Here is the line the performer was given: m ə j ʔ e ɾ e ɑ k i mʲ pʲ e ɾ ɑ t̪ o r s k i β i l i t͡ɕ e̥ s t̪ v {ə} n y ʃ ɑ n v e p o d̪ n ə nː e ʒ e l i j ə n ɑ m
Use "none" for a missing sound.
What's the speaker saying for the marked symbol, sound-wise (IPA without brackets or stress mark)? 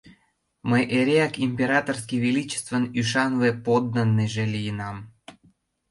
ə